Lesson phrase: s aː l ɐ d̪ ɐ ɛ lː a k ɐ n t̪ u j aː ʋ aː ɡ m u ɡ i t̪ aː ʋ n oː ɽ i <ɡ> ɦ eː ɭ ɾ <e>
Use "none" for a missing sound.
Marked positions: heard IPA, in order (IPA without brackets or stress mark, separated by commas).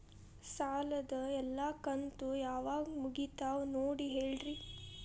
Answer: none, i